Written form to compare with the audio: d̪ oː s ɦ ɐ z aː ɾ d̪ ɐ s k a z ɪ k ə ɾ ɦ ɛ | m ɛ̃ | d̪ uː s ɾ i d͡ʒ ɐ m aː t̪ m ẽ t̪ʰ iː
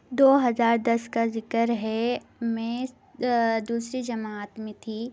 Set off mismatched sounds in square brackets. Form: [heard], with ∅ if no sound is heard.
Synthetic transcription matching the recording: d̪ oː [∅] ɦ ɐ z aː ɾ d̪ ɐ s k a z ɪ k ə ɾ ɦ ɛ | m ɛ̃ | d̪ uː s ɾ i d͡ʒ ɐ m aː t̪ m ẽ t̪ʰ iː